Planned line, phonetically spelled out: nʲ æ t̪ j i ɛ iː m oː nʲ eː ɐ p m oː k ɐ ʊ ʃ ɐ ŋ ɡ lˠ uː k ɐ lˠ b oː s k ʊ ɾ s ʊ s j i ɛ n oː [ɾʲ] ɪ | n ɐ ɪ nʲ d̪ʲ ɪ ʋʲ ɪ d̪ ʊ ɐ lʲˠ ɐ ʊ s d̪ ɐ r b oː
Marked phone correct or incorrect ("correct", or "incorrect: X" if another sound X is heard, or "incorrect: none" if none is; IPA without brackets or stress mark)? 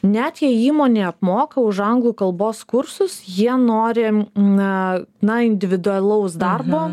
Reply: correct